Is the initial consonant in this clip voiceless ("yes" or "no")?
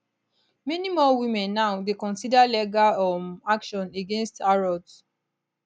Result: no